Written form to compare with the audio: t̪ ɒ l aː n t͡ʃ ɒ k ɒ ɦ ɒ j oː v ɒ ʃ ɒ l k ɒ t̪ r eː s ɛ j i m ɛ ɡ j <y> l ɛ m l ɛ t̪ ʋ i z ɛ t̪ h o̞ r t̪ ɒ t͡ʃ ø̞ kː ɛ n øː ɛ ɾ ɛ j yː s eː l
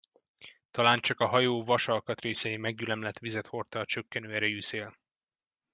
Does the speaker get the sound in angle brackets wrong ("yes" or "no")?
no